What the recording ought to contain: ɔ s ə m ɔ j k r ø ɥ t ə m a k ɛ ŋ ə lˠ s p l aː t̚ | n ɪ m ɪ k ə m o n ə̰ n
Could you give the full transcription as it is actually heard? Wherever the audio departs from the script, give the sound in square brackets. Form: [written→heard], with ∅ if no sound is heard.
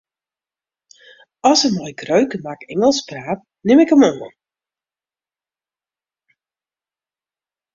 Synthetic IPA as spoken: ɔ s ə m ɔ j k r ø ɥ [t→k] ə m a k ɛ ŋ ə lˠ s p [l→r] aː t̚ | n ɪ m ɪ k ə m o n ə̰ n